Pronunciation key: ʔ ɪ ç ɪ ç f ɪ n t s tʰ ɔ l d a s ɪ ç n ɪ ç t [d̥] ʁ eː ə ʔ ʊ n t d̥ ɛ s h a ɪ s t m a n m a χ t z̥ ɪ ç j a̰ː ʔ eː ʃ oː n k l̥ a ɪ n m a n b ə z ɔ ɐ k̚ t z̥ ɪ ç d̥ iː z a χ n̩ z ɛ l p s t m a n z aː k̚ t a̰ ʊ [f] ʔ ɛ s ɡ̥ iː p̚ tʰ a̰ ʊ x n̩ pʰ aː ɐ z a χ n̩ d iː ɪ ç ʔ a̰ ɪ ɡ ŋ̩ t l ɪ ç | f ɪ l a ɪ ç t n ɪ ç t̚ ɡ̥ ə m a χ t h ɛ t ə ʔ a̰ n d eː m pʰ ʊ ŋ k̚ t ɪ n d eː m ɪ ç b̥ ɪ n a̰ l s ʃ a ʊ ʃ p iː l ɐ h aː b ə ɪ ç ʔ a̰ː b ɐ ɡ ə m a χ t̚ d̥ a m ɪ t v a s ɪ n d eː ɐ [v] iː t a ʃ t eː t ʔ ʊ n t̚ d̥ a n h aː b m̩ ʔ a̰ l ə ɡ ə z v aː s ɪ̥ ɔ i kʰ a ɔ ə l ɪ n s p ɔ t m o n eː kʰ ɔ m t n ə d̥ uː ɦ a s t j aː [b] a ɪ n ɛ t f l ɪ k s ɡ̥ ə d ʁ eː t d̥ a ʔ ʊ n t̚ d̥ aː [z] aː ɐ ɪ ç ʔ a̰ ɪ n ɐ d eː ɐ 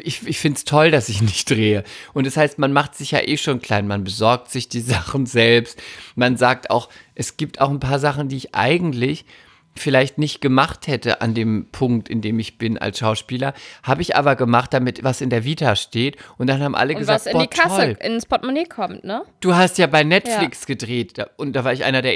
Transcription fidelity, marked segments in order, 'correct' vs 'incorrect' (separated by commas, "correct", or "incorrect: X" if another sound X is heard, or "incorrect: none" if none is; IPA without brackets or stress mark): correct, incorrect: x, correct, correct, incorrect: v